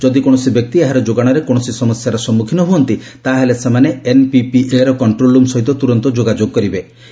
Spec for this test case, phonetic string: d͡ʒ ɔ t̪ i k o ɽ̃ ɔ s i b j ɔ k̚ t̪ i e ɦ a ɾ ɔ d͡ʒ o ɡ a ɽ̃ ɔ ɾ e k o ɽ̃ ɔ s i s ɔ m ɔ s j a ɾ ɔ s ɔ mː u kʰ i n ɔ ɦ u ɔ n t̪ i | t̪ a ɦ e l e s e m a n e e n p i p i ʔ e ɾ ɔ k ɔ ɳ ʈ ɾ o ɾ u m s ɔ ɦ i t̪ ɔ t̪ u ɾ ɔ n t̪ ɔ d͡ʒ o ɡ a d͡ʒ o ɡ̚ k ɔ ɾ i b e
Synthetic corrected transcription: d͡ʒ ɔ d̪ i k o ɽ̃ ɔ s i b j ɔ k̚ t̪ i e ɦ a ɾ ɔ d͡ʒ o ɡ a ɽ̃ ɔ ɾ e k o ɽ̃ ɔ s i s ɔ m ɔ s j a ɾ ɔ s ɔ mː u kʰ i n ɔ ɦ u ɔ n t̪ i | t̪ a ɦ e l e s e m a n e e n p i p i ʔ e ɾ ɔ k ɔ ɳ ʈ ɾ o l u m s ɔ ɦ i t̪ ɔ t̪ u ɾ ɔ n t̪ ɔ d͡ʒ o ɡ a d͡ʒ o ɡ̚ k ɔ ɾ i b e